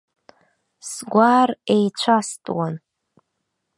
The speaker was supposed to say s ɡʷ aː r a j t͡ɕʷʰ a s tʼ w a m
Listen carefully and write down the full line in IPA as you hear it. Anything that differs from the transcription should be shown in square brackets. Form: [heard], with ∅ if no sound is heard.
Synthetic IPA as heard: s ɡʷ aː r [e] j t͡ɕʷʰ a s tʼ w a [n]